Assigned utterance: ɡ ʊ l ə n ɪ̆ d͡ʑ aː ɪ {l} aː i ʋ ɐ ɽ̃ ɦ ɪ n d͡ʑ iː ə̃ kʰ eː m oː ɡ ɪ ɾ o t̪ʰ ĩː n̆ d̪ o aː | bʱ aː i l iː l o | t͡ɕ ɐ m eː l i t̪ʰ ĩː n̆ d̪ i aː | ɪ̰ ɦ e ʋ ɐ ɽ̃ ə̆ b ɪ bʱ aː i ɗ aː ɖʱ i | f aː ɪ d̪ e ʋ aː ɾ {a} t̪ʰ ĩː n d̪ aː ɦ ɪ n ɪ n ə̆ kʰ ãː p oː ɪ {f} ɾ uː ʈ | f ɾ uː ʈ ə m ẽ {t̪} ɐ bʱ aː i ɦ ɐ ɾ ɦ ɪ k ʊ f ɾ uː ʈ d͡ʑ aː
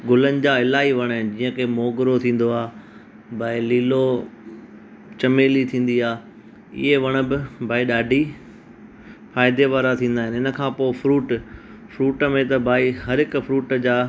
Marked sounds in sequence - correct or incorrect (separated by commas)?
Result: correct, correct, correct, correct